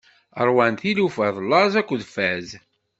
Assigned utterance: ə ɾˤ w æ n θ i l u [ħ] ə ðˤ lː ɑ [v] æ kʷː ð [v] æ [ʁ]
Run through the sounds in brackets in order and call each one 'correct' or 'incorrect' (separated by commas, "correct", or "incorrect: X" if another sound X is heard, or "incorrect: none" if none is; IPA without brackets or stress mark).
incorrect: f, incorrect: z, incorrect: f, incorrect: z